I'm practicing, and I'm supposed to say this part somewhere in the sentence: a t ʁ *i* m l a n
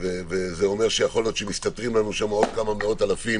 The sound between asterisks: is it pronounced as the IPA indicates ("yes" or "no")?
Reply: yes